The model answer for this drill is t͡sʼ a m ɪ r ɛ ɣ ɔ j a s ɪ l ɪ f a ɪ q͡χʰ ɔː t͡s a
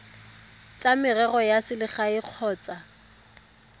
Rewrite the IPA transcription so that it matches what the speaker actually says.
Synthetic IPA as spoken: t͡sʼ a m ɪ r ɛ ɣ ɔ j a s ɪ l ɪ χ a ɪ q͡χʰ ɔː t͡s a